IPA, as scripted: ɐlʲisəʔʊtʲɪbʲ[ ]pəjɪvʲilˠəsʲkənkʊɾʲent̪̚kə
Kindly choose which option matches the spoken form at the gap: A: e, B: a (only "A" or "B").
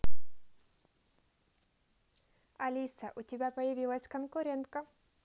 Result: B